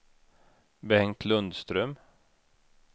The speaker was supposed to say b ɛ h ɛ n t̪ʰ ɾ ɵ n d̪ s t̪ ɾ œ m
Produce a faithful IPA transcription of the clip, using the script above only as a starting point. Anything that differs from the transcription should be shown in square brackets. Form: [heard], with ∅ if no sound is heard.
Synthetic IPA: b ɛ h ɛ [ŋ] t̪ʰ [l] ɵ n d̪ s t̪ ɾ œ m

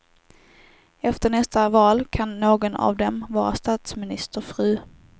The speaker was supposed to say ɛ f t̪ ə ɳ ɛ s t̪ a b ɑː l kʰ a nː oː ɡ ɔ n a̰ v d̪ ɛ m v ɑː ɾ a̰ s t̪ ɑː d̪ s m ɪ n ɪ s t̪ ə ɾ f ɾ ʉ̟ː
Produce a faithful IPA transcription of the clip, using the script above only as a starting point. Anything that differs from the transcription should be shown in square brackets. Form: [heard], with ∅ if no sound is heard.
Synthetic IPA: ɛ f t̪ ə ɳ ɛ s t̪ a [v] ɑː l kʰ a nː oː ɡ ɔ n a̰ v d̪ ɛ m v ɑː ɾ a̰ s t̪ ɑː [t̪] s m ɪ n ɪ s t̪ ə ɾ f ɾ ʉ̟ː

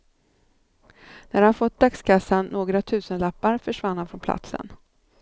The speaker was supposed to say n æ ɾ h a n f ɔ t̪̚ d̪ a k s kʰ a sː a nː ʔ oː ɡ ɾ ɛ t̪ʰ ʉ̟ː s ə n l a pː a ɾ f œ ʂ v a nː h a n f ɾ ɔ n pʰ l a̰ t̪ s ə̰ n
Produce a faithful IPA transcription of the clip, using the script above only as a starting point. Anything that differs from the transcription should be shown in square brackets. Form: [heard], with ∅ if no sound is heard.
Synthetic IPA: n æ ɾ h a n f ɔ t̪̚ d̪ a k s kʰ a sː a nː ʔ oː ɡ ɾ [a] t̪ʰ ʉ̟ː s ə n l a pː a ɾ f œ ʂ v a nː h a n f ɾ ɔ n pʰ l a̰ t̪ s ə̰ n

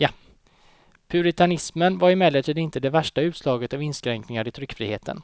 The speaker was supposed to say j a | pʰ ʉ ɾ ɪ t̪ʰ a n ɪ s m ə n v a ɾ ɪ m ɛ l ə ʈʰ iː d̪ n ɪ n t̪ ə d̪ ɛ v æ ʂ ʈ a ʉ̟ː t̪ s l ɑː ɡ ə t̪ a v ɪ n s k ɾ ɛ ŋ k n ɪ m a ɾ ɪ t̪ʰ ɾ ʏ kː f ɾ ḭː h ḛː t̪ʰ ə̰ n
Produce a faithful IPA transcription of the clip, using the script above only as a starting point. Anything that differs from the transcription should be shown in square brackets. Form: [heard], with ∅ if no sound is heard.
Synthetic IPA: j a | pʰ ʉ ɾ ɪ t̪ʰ a n ɪ s m ə n v a ɾ ɪ m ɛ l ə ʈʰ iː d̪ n ɪ n t̪ ə d̪ ɛ v æ ʂ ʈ a ʉ̟ː t̪ s l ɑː ɡ ə t̪ a v ɪ n s k ɾ ɛ ŋ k n ɪ [ŋ] a ɾ ɪ t̪ʰ ɾ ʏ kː f ɾ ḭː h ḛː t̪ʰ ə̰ n

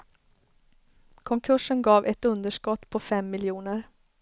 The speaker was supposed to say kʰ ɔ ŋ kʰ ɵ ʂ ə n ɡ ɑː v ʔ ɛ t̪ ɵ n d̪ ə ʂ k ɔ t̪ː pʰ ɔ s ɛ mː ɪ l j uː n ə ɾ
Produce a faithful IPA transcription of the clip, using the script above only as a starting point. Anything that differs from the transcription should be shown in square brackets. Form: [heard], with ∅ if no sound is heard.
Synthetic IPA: kʰ ɔ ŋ kʰ ɵ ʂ ə n ɡ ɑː v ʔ ɛ t̪ ɵ n d̪ ə ʂ k ɔ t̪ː pʰ ɔ [f] ɛ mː ɪ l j uː n ə ɾ

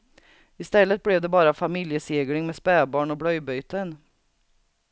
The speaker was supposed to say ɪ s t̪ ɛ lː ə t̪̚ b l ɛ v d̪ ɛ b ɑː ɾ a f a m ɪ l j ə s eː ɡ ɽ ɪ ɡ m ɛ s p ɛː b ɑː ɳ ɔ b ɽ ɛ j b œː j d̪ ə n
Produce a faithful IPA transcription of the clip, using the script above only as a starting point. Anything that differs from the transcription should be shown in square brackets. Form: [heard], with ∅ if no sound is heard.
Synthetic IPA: ɪ s t̪ ɛ lː ə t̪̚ b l ɛ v d̪ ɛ b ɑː ɾ a f a m ɪ l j ə s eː ɡ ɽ ɪ [ŋ] m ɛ s p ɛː b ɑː ɳ ɔ b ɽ [œ] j b [œ] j [t̪] ə n

